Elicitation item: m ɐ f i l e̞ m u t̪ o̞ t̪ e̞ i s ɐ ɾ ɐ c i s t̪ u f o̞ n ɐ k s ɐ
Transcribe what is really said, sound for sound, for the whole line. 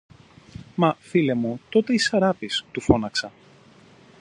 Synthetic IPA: m ɐ f i l e̞ m u t̪ o̞ t̪ e̞ i s ɐ ɾ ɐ p i s t̪ u f o̞ n ɐ k s ɐ